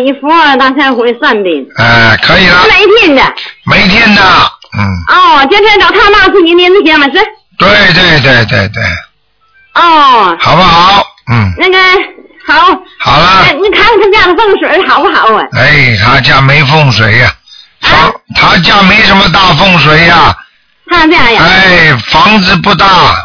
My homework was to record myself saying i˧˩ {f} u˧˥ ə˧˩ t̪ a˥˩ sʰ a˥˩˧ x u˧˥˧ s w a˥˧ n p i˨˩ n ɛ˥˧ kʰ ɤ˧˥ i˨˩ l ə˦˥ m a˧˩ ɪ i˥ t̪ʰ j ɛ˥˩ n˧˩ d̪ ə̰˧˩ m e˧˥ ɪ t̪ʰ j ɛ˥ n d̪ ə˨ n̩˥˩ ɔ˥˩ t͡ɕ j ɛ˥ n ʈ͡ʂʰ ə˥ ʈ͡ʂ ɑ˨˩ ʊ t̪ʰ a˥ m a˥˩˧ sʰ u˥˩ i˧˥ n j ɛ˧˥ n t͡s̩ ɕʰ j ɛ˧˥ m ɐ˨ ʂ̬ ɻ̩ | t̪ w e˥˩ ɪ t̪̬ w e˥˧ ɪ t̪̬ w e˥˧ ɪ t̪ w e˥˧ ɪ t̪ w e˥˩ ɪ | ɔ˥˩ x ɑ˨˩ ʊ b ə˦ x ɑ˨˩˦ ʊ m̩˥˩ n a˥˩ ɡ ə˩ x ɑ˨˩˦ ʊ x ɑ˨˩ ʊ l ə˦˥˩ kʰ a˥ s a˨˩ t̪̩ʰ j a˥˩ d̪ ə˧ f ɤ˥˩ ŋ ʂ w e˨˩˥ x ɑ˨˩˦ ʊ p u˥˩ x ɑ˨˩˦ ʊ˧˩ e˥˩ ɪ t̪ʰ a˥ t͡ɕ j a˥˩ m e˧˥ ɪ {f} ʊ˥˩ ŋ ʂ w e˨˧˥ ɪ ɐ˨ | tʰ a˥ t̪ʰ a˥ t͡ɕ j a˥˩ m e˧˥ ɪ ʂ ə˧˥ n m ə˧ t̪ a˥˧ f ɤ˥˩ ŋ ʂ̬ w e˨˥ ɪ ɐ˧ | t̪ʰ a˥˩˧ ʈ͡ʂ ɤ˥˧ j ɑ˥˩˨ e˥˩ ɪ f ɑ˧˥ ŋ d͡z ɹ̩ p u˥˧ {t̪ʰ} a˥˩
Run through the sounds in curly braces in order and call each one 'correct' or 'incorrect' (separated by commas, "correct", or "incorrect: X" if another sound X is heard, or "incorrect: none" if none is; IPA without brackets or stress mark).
correct, correct, incorrect: t̪